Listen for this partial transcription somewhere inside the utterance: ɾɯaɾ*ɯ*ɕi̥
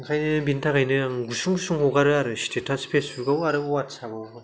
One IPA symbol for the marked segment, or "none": ɯ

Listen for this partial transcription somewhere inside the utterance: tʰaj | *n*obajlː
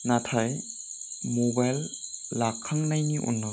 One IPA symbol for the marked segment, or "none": m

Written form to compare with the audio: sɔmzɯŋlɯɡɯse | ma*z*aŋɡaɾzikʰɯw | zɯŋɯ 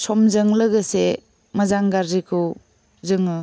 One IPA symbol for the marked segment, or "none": z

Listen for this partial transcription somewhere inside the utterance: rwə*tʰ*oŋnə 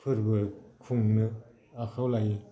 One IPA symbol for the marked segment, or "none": kʰ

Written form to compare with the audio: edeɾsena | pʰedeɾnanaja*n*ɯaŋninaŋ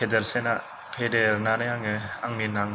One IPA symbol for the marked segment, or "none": ŋ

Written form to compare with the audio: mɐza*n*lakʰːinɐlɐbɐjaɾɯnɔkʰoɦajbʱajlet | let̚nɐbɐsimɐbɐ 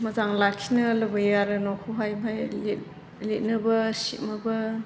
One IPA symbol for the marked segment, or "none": ŋ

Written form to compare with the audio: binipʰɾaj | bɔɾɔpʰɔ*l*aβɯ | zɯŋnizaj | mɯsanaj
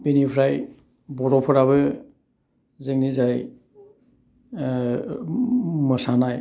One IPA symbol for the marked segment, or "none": ɾ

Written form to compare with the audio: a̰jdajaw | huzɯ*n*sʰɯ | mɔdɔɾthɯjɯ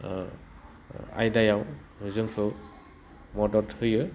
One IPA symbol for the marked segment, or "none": ŋ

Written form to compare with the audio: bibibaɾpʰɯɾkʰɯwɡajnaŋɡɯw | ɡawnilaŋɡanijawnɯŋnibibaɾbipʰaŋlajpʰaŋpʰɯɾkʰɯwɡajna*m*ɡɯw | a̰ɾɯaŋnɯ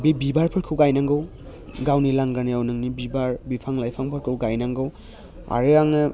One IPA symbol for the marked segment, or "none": ŋ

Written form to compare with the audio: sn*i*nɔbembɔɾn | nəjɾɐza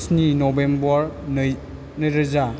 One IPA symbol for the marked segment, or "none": i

